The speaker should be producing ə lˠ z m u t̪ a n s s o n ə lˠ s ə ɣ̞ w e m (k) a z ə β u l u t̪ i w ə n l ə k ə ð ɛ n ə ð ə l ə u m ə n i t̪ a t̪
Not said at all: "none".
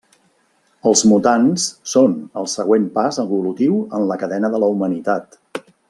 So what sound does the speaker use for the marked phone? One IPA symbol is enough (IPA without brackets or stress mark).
p